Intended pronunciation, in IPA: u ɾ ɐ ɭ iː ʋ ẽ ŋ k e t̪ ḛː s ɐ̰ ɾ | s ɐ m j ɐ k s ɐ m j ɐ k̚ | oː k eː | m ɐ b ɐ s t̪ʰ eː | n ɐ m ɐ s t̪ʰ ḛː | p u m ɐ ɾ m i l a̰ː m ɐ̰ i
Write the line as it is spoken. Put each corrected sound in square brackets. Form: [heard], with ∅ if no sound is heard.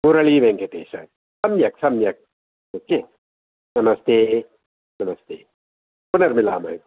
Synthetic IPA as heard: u ɾ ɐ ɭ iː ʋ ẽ ŋ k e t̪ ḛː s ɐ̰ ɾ | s ɐ m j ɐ k s ɐ m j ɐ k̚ | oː k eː | [n] ɐ [m] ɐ s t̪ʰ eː | n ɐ m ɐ s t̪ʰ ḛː | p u [n] ɐ ɾ m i l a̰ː m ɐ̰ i